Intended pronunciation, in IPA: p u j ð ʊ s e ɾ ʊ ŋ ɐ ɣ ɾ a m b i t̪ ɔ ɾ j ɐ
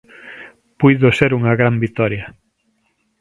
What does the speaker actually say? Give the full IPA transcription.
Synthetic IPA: p u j ð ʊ s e ɾ u ŋ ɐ ɣ ɾ a m b i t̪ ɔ ɾ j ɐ